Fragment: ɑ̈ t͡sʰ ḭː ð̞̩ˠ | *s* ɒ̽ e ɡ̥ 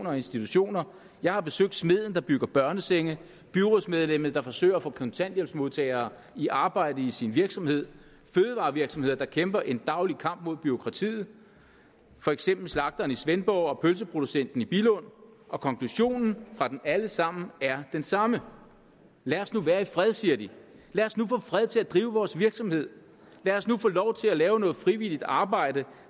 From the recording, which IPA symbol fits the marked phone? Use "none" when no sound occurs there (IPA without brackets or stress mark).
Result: f